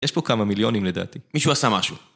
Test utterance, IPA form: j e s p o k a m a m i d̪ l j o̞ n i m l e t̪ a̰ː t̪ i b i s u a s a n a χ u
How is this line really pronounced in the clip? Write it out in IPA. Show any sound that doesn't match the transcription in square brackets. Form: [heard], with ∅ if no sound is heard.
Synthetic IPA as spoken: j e [ʃ] p o k a m a m i [∅] l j o̞ n i m l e [d̪] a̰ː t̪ i [m] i [ʃ] u a s a [m] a [ʃ] u